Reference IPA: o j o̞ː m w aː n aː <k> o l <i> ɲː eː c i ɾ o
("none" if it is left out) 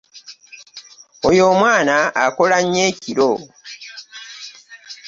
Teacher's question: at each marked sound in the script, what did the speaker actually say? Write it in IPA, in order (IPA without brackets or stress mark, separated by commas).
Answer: k, a